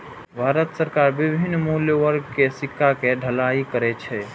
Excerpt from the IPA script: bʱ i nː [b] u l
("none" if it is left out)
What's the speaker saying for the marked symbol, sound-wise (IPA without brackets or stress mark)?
m